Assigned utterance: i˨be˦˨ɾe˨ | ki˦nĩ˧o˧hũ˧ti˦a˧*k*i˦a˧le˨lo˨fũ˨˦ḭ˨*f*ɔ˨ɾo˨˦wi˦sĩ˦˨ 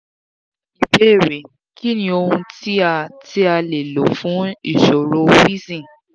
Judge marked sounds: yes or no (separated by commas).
no, no